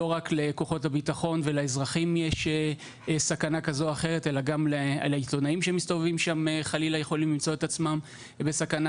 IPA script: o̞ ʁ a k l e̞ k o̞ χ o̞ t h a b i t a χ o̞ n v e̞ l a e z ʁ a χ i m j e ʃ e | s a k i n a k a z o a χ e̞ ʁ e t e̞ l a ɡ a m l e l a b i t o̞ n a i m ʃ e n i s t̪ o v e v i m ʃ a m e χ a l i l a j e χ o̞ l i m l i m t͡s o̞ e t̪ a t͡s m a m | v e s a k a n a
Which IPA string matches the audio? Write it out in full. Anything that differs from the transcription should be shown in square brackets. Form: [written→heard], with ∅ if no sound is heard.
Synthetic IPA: o̞ ʁ a k l e̞ k o̞ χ o̞ t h a b i t a χ o̞ n v e̞ l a e z ʁ a χ i m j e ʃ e | s a k [i→a] n a k a z o a χ e̞ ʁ e t e̞ l a ɡ a m l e l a [b→∅] i t o̞ n a i m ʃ e [n→m] i s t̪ o v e v i m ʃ a m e χ a l i l a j e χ o̞ l i m l i m t͡s o̞ e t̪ a t͡s m a m | [v→b] e s a k a n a